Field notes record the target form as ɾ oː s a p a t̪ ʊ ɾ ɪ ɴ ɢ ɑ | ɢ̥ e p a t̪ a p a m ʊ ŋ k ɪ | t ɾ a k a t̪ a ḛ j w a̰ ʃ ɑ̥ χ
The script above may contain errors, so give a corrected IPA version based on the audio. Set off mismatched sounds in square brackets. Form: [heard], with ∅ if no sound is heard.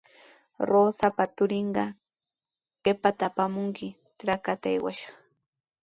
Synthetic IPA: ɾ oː s a p a t̪ ʊ ɾ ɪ ɴ ɢ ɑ | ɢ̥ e p a t̪ a p a m ʊ ŋ k ɪ | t ɾ a k a t̪ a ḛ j w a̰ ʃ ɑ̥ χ